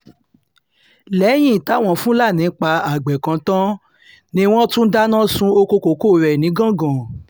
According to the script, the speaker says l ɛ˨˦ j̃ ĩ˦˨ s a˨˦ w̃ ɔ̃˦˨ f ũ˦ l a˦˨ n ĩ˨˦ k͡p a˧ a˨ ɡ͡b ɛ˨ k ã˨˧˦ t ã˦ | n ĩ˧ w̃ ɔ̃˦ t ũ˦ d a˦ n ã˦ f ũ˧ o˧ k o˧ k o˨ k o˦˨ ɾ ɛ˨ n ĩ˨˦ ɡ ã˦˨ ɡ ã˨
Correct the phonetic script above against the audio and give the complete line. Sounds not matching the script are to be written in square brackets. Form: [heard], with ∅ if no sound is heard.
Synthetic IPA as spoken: l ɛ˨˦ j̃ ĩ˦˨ [t] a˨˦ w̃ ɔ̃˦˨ f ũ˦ l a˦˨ n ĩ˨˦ k͡p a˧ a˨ ɡ͡b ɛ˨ k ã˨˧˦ t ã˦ | n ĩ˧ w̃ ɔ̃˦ t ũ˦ d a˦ n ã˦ [s] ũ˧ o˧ k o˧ k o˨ k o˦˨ ɾ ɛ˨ n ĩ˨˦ ɡ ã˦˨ ɡ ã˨